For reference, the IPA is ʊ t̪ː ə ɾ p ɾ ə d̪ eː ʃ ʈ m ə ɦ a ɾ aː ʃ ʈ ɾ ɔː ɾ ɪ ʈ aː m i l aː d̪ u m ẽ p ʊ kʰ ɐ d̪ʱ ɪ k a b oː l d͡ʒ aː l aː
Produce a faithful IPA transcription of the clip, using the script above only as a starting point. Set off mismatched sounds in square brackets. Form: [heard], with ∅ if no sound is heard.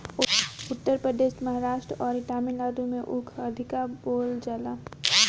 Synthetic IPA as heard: ʊ t̪ː ə ɾ p ɾ ə d̪ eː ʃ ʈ m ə ɦ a ɾ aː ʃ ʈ ɾ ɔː ɾ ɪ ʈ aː m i l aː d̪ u m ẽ [ʔ] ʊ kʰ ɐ d̪ʱ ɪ k a b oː l d͡ʒ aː l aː